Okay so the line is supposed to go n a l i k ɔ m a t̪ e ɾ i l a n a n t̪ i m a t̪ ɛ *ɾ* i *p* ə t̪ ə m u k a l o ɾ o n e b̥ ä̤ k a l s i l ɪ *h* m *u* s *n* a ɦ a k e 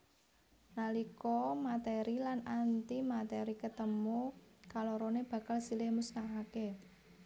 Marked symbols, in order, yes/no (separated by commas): yes, no, yes, yes, yes